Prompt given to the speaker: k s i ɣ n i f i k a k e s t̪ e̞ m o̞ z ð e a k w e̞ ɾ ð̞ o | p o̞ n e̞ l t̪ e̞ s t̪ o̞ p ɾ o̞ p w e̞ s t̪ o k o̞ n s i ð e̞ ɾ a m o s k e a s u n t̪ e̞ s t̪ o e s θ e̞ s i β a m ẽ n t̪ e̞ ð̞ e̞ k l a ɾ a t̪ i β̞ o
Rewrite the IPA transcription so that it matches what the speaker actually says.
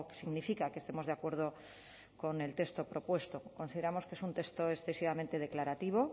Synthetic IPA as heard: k s i ɣ n i f i k a k e s t̪ e̞ m o̞ z ð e a k w e̞ ɾ ð̞ o | k o̞ n e̞ l t̪ e̞ s t̪ o̞ p ɾ o̞ p w e̞ s t̪ o k o̞ n s i ð e̞ ɾ a m o s k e e s u n t̪ e̞ s t̪ o e s θ e̞ s i β a m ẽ n t̪ e̞ ð̞ e̞ k l a ɾ a t̪ i β̞ o